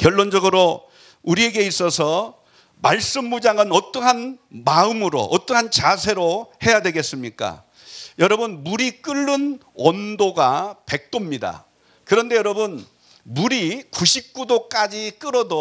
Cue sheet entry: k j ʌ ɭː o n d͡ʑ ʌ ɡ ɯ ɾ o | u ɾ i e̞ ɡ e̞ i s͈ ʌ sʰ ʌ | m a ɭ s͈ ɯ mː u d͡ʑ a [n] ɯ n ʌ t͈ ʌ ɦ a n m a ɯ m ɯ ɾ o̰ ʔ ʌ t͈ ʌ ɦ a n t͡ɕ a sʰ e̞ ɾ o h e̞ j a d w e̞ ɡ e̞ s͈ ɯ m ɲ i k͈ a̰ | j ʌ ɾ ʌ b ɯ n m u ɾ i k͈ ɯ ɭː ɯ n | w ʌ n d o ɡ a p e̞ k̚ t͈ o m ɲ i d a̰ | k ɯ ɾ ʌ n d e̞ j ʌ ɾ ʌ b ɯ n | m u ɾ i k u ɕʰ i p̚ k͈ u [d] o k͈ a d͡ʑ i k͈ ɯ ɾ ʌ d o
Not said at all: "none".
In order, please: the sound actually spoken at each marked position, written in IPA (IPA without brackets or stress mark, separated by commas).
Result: ŋ, d